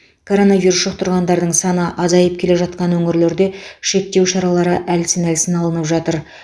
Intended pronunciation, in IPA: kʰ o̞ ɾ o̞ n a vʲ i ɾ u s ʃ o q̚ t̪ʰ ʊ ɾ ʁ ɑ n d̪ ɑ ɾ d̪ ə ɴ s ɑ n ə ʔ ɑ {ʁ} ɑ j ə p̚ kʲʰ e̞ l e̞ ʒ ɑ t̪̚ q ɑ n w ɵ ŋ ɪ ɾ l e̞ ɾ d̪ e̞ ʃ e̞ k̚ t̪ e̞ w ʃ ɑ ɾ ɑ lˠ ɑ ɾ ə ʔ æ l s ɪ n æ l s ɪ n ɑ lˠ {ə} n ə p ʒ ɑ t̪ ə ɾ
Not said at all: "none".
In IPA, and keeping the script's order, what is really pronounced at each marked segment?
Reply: z, ə

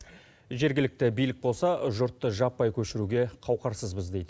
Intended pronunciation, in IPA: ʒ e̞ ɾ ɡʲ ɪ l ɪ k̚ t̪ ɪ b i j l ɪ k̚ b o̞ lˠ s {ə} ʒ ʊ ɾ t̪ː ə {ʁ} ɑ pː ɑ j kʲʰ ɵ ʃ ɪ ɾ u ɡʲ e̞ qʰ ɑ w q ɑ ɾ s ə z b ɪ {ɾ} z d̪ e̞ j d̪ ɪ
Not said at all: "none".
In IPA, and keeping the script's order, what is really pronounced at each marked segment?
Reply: ɑ, ʒ, none

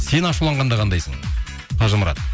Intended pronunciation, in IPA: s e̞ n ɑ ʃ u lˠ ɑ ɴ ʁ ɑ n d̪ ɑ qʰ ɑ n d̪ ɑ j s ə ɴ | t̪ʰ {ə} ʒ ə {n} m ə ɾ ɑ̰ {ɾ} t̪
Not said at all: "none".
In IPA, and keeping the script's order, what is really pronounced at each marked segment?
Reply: ɑ, none, none

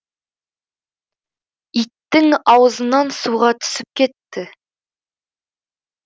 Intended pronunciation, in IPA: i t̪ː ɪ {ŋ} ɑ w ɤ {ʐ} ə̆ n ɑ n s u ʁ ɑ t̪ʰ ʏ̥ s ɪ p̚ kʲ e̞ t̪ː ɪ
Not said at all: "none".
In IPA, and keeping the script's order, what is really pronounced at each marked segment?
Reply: ŋ, z

